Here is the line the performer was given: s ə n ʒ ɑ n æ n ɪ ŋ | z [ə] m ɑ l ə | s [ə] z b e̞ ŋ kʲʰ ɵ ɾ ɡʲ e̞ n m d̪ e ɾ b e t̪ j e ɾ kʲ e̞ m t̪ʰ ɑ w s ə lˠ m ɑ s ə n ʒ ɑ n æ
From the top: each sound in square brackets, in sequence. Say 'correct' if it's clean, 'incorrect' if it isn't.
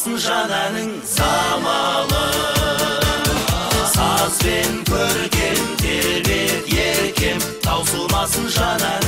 incorrect: ɑ, incorrect: ɑ

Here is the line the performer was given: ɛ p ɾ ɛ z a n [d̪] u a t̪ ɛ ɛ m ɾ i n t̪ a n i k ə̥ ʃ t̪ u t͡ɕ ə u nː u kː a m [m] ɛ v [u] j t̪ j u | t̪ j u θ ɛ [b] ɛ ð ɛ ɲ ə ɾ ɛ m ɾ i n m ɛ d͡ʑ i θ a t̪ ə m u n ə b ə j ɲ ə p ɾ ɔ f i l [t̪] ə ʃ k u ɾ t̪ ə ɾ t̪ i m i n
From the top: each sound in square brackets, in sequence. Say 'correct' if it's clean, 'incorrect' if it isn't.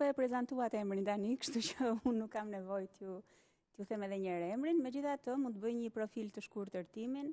incorrect: t̪, incorrect: n, incorrect: ɔ, incorrect: m, correct

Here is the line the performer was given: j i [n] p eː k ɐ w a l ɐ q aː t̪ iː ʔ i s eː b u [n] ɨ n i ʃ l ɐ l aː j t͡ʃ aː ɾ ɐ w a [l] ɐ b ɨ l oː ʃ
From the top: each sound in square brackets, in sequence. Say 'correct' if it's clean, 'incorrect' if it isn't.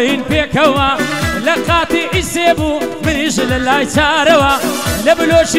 correct, incorrect: m, correct

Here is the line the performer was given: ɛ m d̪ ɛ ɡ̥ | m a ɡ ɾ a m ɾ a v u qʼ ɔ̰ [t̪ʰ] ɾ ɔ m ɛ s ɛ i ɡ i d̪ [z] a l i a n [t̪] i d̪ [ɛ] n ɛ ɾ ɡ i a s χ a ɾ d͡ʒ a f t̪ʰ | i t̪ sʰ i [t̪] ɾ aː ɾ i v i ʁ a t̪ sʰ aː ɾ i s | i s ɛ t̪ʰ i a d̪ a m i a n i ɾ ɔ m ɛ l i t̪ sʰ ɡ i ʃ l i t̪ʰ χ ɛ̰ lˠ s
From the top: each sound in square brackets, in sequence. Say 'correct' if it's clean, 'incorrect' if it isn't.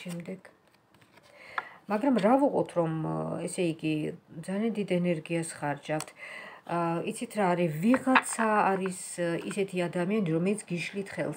correct, correct, incorrect: d̪, correct, incorrect: t̪ʰ

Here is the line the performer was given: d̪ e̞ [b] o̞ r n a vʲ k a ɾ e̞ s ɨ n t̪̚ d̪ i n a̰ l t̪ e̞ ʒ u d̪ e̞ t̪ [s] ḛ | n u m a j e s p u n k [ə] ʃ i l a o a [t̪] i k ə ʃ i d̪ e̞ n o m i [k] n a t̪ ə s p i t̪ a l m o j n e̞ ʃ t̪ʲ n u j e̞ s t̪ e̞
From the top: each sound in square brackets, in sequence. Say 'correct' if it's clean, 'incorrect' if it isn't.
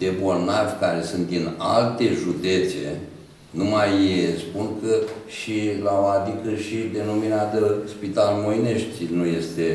correct, correct, correct, incorrect: d̪, incorrect: none

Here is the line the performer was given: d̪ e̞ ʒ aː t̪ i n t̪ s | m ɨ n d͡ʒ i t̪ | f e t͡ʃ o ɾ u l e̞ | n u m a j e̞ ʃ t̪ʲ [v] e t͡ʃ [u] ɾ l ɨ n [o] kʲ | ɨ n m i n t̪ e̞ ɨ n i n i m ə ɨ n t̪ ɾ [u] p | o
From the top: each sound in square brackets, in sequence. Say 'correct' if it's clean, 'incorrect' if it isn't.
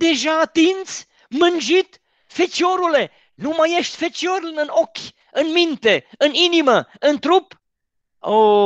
incorrect: f, incorrect: o, correct, correct

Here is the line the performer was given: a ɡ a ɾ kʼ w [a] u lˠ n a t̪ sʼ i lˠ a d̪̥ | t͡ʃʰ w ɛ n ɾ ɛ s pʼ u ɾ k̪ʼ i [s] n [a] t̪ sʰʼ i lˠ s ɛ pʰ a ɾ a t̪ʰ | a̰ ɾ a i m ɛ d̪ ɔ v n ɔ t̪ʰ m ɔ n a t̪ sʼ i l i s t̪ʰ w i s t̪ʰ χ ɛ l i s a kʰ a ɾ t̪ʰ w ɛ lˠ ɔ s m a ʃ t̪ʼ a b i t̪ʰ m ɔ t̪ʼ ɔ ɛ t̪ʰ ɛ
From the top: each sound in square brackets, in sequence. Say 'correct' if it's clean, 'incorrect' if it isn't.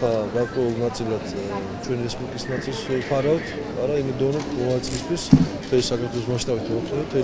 incorrect: ɛ, correct, correct

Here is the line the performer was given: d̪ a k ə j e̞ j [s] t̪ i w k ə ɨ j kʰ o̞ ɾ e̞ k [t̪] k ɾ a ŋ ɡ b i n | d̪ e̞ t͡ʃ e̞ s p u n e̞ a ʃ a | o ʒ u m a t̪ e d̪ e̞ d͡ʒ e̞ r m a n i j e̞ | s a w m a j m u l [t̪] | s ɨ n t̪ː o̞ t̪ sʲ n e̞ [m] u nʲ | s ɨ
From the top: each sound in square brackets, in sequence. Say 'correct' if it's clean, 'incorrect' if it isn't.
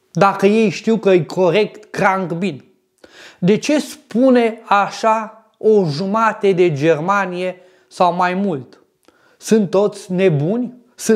incorrect: ʃ, correct, correct, incorrect: b

